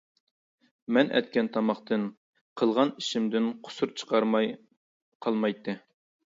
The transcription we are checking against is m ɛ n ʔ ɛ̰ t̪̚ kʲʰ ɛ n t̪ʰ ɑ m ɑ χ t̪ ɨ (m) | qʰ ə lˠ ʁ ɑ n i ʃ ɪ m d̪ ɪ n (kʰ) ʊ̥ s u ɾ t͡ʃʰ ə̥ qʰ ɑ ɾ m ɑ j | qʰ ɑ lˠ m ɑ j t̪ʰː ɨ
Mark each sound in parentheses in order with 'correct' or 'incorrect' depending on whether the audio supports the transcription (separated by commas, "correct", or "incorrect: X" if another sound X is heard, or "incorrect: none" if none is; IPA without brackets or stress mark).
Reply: incorrect: n, incorrect: qʰ